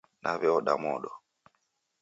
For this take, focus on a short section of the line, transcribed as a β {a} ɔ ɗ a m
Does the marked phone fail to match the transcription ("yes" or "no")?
yes